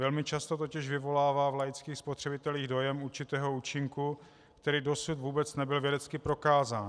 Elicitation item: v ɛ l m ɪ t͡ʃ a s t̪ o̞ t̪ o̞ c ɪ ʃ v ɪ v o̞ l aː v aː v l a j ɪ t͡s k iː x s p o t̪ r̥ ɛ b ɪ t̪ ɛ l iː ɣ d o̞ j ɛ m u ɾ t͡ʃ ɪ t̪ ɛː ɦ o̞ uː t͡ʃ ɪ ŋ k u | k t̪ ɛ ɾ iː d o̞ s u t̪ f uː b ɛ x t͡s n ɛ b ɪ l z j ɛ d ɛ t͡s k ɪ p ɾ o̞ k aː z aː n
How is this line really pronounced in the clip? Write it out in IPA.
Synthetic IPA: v ɛ l m ɪ t͡ʃ a s t̪ o̞ t̪ o̞ c ɪ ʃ v ɪ v o̞ l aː v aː v l a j ɪ t͡s k iː x s p o t̪ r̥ ɛ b ɪ t̪ ɛ l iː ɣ d o̞ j ɛ m u ɾ t͡ʃ ɪ t̪ ɛː ɦ o̞ uː t͡ʃ ɪ ŋ k u | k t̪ ɛ ɾ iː d o̞ s u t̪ v uː b ɛ t͡s n ɛ b ɪ l v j ɛ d ɛ t͡s k ɪ p ɾ o̞ k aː z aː n